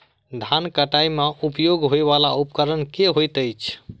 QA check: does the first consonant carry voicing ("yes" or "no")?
yes